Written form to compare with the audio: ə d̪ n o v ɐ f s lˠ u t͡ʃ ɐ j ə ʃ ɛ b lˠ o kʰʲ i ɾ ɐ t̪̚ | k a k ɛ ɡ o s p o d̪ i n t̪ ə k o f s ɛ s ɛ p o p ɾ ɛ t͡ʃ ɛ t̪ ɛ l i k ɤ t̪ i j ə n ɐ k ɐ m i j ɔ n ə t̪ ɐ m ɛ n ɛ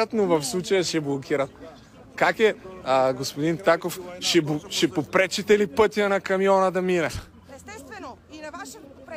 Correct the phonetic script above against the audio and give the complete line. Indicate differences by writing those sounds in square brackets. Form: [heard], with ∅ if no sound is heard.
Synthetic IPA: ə [t̪] n o v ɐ f s lˠ u t͡ʃ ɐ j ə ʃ ɛ b lˠ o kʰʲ i ɾ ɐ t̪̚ | k a k ɛ ɡ o s p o d̪ i n t̪ [a] k o f [ʃ] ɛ [ʃ] ɛ p o p ɾ ɛ t͡ʃ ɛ t̪ ɛ l i [p] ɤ t̪ i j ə n ɐ k ɐ m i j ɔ n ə [d̪] ɐ m [i] n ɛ